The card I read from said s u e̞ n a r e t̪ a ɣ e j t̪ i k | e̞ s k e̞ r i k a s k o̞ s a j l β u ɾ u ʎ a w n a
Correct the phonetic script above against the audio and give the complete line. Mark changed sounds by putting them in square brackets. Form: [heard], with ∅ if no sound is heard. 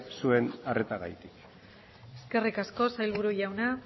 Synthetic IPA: s u e̞ n a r e t̪ a ɣ [a] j t̪ i k | e̞ s k e̞ r i k a s k o̞ s a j l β u ɾ u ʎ a w n a